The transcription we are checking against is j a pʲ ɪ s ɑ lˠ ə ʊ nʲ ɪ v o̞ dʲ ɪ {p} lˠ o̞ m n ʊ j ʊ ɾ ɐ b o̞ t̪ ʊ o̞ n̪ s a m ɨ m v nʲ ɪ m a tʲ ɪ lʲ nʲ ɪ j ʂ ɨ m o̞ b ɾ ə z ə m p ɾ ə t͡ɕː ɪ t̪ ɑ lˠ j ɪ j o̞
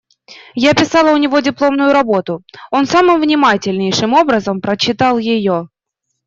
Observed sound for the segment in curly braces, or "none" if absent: p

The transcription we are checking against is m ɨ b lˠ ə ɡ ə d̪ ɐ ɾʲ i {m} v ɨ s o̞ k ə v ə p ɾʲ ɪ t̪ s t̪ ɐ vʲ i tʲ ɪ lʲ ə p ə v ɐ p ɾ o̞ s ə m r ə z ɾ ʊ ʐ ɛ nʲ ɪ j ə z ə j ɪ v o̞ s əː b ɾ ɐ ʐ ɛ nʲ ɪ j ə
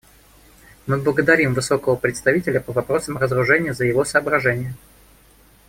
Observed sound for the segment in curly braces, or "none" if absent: m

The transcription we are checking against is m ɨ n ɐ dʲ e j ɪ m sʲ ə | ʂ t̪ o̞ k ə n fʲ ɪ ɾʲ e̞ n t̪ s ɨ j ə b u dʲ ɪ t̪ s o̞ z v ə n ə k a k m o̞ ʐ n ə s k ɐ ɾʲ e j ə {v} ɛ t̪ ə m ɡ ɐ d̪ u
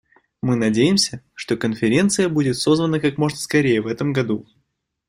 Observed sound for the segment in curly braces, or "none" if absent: v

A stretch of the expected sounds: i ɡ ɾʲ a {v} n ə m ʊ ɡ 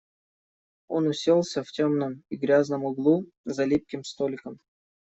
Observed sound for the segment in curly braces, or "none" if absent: z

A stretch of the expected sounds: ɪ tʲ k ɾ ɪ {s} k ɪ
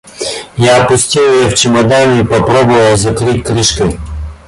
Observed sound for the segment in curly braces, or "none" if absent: ʃ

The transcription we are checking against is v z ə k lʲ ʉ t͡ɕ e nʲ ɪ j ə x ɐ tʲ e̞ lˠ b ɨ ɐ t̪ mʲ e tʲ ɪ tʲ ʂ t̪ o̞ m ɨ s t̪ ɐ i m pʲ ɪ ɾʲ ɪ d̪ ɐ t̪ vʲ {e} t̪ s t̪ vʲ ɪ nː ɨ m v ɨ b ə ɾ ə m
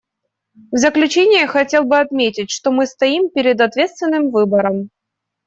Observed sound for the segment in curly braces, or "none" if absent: e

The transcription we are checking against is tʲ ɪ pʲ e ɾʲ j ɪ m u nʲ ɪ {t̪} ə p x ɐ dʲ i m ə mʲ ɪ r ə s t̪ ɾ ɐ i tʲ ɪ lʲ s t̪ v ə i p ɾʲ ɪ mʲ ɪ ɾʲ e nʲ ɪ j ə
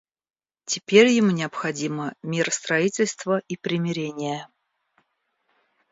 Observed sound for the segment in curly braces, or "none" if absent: none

